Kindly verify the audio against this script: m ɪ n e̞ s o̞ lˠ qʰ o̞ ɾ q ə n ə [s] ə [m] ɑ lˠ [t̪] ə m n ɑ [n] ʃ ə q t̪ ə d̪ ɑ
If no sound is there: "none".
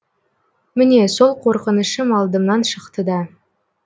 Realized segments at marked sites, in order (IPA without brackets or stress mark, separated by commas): ʃ, m, d̪, n